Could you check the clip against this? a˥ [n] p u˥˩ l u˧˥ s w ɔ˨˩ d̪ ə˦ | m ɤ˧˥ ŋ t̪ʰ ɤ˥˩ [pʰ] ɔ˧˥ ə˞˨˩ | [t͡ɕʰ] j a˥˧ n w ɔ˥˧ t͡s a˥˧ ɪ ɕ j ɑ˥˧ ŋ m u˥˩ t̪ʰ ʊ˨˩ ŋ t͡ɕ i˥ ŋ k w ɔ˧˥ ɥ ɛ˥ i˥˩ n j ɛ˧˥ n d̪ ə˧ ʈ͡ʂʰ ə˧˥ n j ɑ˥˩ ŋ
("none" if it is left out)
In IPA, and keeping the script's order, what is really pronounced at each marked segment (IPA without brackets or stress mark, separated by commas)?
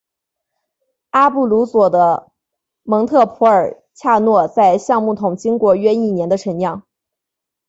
none, pʰ, t͡ɕʰ